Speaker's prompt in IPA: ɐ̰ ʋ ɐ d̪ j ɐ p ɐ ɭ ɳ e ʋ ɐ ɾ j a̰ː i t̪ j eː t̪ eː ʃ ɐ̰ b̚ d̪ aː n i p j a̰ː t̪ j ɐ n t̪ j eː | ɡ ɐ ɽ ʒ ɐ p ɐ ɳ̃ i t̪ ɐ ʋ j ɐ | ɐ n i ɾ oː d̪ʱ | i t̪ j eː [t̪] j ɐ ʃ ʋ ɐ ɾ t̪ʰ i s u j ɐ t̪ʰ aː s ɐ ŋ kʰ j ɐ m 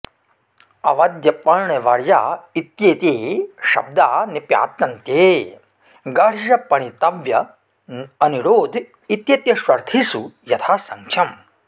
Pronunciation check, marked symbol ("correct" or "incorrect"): correct